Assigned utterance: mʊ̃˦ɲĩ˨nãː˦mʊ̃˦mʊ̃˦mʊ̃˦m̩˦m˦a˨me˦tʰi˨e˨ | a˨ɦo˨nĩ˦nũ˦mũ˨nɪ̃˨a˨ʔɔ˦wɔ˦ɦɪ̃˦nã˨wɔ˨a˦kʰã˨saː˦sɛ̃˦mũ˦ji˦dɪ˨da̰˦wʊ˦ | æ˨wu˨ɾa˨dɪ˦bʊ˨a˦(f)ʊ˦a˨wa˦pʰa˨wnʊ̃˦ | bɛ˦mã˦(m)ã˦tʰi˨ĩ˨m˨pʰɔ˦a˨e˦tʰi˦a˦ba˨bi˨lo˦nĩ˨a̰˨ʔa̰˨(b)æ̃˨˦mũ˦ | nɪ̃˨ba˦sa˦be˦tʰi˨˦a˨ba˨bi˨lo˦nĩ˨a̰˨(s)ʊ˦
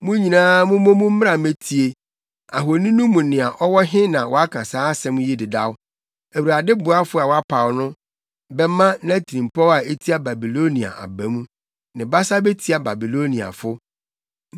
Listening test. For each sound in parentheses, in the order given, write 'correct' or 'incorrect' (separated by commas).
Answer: correct, incorrect, correct, incorrect